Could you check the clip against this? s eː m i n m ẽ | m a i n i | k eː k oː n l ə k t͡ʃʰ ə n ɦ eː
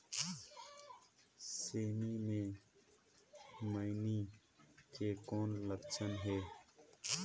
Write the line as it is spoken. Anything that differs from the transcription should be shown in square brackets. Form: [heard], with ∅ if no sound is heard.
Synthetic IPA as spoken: s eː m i [∅] m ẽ | m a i n i | k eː k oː n l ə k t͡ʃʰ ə n ɦ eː

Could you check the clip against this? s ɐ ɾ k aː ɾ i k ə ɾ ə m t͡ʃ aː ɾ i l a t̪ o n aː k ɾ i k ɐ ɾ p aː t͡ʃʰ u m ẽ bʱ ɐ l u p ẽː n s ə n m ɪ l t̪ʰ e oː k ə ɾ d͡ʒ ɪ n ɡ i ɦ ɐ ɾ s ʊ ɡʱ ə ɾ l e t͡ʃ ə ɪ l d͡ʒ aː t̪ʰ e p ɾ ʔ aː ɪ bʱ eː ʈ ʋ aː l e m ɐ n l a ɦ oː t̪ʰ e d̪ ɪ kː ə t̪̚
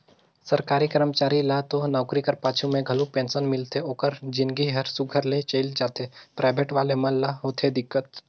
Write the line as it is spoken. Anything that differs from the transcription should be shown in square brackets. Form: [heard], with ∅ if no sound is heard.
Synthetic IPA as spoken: s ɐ ɾ k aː ɾ i k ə ɾ ə m t͡ʃ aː ɾ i l a t̪ o n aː k ɾ i k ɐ ɾ p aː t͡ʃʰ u m ẽ [ɡʱ] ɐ l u p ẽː n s ə n m ɪ l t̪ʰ e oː k ə ɾ d͡ʒ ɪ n ɡ i ɦ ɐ ɾ s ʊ ɡʱ ə ɾ l e t͡ʃ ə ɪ l d͡ʒ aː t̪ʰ e p ɾ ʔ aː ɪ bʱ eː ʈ ʋ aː l e m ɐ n l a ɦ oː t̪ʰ e d̪ ɪ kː ə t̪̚

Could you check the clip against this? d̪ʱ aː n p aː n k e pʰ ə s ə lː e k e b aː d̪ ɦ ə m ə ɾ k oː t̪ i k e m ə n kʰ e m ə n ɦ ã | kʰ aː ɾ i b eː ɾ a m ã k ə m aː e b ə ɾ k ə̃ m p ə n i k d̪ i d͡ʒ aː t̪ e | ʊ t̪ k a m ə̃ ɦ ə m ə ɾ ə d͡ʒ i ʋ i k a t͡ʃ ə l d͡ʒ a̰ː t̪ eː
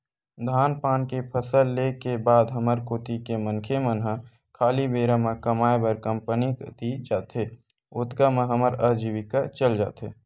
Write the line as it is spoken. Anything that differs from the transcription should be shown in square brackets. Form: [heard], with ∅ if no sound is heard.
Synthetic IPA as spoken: d̪ʱ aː n p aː n k e pʰ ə s ə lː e k e b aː d̪ ɦ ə m ə ɾ k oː t̪ i k e m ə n kʰ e m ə n ɦ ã | kʰ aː [l] i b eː ɾ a m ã k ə m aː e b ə ɾ k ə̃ m p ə n i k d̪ i d͡ʒ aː t̪ e | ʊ t̪ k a m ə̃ ɦ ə m ə ɾ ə d͡ʒ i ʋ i k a t͡ʃ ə l d͡ʒ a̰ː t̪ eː

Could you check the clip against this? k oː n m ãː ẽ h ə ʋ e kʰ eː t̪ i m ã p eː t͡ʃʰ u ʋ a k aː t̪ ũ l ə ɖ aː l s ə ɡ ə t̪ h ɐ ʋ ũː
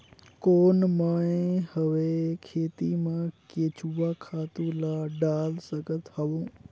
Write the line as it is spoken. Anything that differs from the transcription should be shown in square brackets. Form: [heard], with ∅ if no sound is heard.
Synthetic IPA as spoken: k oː n m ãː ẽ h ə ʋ e kʰ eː t̪ i m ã [k] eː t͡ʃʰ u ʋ a [kʰ] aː t̪ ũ l [a] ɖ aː l s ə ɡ ə t̪ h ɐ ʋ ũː

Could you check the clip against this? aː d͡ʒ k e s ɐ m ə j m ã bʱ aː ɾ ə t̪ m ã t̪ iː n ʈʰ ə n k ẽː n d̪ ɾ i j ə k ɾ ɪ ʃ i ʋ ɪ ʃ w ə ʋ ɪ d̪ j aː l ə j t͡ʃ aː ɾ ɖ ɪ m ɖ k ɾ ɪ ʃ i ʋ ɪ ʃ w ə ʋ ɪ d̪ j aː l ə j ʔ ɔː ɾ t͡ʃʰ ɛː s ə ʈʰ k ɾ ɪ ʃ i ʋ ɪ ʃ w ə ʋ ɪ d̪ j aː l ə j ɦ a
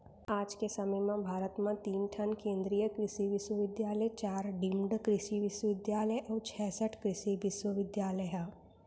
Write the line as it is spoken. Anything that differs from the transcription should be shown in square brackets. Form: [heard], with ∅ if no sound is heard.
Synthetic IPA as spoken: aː d͡ʒ k e s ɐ m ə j m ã bʱ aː ɾ ə t̪ m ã t̪ iː n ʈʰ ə n k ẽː n d̪ ɾ i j ə k ɾ ɪ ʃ i ʋ ɪ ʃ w ə ʋ ɪ d̪ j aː l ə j t͡ʃ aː ɾ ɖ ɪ m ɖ k ɾ ɪ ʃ i ʋ ɪ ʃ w ə ʋ ɪ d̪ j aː l ə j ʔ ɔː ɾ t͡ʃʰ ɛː s ə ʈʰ k ɾ ɪ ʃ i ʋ ɪ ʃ w ə ʋ ɪ d̪ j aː l ə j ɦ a

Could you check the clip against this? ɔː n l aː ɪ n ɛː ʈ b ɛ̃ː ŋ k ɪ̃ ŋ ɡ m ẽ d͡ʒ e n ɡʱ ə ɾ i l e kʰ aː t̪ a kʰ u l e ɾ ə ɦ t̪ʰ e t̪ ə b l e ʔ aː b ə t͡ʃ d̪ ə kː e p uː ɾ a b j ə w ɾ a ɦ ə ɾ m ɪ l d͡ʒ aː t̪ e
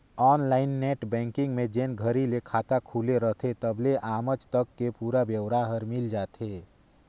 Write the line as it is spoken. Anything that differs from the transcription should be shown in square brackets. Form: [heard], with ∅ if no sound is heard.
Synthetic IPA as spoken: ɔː n l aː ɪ [nː] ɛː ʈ b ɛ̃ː ŋ k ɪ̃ ŋ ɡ m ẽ d͡ʒ e n ɡʱ ə ɾ i l e kʰ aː t̪ a kʰ u l e ɾ ə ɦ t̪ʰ e t̪ ə b l e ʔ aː [m] ə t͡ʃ [t̪] ə kː e p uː ɾ a b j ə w ɾ a ɦ ə ɾ m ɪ l d͡ʒ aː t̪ e

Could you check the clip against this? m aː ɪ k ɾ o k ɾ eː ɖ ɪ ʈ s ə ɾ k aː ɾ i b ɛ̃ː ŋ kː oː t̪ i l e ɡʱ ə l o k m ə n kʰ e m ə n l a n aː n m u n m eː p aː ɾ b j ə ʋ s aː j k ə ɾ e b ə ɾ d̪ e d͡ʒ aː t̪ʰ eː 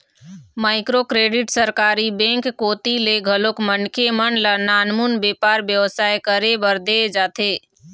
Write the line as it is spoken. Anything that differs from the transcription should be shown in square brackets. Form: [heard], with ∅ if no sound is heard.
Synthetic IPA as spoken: m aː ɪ k ɾ o k ɾ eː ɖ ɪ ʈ s ə ɾ k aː ɾ i b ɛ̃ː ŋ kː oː t̪ i l e ɡʱ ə l o k m ə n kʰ e m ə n l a n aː n m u n [b] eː p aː ɾ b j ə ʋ s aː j k ə ɾ e b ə ɾ d̪ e d͡ʒ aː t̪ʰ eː

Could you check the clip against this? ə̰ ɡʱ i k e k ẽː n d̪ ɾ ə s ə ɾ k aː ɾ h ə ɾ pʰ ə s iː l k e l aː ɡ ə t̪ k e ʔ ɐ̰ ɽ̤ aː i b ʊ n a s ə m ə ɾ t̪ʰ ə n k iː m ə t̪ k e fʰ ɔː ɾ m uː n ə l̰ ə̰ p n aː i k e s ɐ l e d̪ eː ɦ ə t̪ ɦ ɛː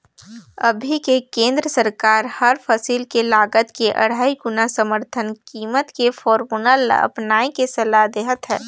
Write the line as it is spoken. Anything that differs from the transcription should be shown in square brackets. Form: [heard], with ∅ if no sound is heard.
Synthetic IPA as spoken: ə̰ [bʱ] i k e k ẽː n d̪ ɾ ə s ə ɾ k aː ɾ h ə ɾ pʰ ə s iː l k e l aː ɡ ə t̪ k e ʔ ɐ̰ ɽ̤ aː i [ɡ] ʊ n a s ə m ə ɾ t̪ʰ ə n k iː m ə t̪ k e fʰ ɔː ɾ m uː n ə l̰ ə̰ p n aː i k e s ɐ l [a] d̪ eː ɦ ə t̪ ɦ ɛː

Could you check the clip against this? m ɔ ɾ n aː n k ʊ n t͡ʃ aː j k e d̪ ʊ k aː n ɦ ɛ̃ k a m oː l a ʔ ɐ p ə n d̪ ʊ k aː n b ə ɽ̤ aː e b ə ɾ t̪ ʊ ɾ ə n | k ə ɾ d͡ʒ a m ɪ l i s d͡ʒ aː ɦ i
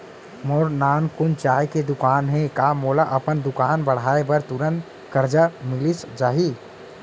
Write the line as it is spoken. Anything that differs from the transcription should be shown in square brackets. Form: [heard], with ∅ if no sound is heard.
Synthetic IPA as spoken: m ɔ ɾ n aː n k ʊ n t͡ʃ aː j k e d̪ ʊ k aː n ɦ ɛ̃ k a m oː l a ʔ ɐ p ə n d̪ ʊ k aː n b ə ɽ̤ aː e b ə ɾ t̪ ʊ ɾ ə n | k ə ɾ d͡ʒ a m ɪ l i s d͡ʒ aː ɦ i

